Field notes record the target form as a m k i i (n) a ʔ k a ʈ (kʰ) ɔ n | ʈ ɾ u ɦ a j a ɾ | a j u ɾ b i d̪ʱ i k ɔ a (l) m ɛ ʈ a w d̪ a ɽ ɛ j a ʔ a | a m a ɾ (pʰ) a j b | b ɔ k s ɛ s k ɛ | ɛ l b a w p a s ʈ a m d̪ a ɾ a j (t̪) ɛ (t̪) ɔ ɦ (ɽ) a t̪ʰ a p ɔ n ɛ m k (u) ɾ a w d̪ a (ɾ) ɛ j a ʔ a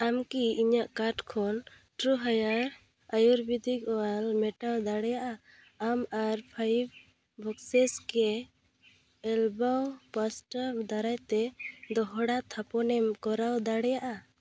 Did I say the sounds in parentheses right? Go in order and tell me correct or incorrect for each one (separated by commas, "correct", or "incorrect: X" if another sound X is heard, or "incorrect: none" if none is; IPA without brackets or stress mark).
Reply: incorrect: ɲ, correct, correct, correct, correct, incorrect: d̪, correct, incorrect: ɔ, incorrect: ɽ